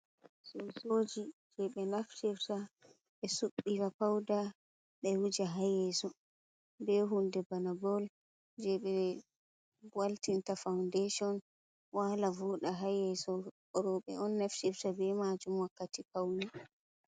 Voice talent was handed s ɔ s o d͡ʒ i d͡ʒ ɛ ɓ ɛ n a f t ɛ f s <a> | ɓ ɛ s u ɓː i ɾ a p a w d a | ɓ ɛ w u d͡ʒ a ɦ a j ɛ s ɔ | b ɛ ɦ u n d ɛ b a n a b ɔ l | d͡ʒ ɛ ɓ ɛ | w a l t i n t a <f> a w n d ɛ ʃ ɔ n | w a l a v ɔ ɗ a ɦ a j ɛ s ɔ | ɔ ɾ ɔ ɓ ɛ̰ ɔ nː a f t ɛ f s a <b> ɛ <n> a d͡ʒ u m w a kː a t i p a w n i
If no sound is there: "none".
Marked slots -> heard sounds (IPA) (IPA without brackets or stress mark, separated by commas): a, f, b, m